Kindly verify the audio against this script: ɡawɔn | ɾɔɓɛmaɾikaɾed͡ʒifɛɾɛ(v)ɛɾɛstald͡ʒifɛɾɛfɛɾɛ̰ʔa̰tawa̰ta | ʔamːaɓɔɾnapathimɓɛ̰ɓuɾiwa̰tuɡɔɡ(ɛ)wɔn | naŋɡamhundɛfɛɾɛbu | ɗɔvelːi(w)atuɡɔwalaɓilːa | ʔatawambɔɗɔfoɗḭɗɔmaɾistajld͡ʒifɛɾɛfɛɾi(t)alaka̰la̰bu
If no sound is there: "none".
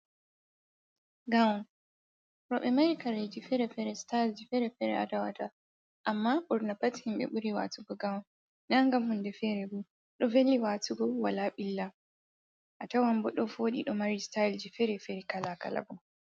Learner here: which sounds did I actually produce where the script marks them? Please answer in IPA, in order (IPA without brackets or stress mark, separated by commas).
f, a, w, k